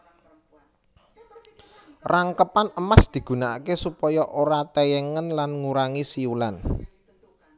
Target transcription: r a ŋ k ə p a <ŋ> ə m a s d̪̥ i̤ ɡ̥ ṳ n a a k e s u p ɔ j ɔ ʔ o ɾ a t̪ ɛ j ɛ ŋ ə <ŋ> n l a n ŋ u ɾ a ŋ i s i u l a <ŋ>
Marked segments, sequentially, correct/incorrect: incorrect: n, incorrect: none, incorrect: n

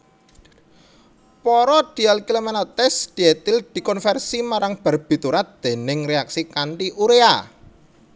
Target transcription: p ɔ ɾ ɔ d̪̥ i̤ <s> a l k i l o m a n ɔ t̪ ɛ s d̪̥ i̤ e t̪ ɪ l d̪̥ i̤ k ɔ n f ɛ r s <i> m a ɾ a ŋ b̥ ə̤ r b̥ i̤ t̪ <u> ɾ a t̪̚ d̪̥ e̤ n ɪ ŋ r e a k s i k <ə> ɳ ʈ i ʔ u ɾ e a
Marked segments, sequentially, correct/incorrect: incorrect: none, correct, correct, incorrect: a

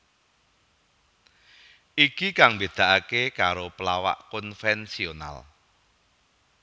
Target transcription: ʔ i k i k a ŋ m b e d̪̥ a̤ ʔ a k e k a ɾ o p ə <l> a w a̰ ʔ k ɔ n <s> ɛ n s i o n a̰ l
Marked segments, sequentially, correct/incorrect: correct, incorrect: f

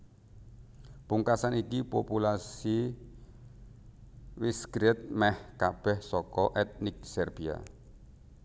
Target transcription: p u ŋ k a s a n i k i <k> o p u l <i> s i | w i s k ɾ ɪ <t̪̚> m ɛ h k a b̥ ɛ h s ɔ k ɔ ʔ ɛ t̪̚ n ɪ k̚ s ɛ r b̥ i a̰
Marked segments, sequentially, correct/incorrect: incorrect: p, incorrect: a, correct

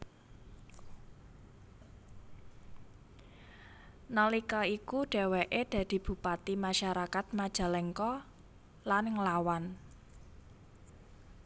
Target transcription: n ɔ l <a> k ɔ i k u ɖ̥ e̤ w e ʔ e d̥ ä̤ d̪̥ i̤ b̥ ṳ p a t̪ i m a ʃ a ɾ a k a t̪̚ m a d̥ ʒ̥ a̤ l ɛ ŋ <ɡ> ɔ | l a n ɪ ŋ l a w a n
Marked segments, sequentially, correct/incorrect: incorrect: i, incorrect: k

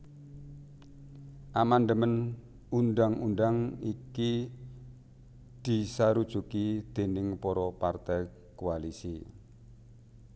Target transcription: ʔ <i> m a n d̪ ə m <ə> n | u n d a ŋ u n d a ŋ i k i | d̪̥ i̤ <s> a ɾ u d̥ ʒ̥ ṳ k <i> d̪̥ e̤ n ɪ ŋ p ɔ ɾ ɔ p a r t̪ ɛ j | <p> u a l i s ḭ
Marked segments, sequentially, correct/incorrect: incorrect: a, correct, correct, correct, incorrect: k

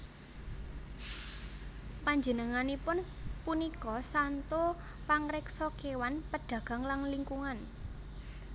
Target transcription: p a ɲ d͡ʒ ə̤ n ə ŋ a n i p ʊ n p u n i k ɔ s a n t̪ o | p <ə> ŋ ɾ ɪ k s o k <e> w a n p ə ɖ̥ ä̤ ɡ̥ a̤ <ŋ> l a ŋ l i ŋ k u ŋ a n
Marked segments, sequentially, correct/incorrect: incorrect: a, correct, correct

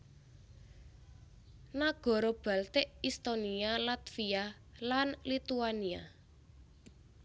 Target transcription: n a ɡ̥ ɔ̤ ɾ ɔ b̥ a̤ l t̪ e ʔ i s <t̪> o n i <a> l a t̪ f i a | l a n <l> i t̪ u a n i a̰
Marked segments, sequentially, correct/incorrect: correct, correct, correct

